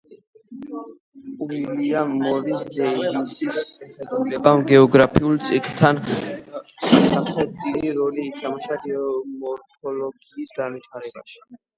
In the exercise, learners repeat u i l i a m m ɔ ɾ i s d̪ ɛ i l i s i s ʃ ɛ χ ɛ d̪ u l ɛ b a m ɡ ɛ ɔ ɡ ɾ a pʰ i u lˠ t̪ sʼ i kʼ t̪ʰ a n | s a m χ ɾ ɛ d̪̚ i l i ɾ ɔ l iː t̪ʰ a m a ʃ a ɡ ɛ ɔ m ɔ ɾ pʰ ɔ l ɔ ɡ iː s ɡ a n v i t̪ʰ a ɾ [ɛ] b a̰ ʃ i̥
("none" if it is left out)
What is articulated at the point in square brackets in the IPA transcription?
ɛ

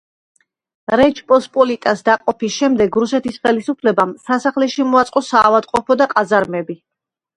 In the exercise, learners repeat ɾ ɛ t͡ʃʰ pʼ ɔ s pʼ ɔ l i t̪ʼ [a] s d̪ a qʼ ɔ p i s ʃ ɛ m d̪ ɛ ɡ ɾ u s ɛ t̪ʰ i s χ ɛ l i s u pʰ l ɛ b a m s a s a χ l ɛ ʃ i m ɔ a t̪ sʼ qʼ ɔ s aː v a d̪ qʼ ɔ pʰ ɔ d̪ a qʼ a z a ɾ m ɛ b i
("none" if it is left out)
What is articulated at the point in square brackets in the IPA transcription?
a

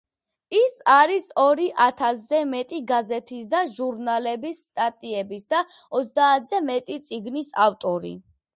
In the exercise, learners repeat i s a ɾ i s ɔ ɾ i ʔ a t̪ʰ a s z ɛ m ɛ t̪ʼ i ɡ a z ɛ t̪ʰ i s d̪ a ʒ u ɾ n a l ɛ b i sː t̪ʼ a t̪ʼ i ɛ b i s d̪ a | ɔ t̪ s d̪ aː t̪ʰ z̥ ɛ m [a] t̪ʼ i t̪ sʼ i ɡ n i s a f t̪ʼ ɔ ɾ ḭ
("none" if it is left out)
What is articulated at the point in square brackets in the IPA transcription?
ɛ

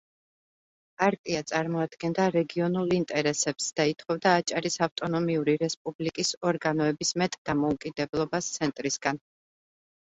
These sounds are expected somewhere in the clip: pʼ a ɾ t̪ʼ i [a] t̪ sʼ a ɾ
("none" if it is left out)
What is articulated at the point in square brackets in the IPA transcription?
a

